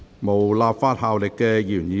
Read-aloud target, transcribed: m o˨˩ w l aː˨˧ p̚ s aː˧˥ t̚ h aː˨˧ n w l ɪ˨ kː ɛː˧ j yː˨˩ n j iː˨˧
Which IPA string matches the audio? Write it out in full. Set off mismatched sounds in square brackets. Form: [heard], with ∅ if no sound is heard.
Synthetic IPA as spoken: m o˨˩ w l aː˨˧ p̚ [f] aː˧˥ t̚ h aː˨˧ [∅] w l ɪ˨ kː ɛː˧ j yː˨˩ n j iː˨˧